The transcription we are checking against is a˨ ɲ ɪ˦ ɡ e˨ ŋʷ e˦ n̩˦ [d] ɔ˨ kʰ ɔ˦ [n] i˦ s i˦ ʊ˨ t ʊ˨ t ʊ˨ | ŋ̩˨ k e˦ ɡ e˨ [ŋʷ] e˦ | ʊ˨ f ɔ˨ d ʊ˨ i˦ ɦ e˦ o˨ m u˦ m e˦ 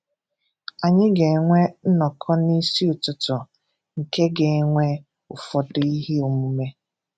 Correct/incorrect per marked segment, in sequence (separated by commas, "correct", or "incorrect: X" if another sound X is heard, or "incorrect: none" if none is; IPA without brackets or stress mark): incorrect: n, correct, correct